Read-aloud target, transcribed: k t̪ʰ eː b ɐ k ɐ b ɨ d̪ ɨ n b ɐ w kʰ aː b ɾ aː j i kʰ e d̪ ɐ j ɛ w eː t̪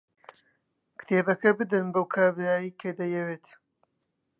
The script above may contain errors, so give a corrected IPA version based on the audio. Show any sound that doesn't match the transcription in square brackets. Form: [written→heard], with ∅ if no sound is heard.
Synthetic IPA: k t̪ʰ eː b ɐ k ɐ b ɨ d̪ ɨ n b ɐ w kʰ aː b ɾ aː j i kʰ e d̪ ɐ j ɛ w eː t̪